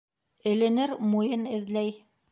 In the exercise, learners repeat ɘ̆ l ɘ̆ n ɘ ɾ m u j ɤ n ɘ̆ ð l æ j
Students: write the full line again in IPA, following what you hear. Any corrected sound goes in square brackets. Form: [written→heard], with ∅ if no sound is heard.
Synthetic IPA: ɘ̆ l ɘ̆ n ɘ ɾ m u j ɤ n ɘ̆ ð l æ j